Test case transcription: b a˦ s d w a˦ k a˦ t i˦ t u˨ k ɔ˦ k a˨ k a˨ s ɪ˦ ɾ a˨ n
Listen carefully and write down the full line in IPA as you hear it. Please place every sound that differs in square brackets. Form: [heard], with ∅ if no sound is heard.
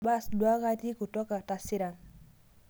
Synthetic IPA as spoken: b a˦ s d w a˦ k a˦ t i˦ [k] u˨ [t] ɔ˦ k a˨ [t] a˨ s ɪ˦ ɾ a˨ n